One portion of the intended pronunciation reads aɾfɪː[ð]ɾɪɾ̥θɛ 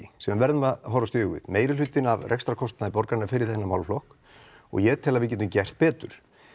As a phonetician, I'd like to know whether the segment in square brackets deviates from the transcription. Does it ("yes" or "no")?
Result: yes